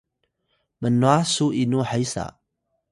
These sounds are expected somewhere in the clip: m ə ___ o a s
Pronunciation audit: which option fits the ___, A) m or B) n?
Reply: B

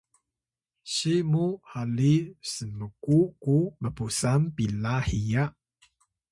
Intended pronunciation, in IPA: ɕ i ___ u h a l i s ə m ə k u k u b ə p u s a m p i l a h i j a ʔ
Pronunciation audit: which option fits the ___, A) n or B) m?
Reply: B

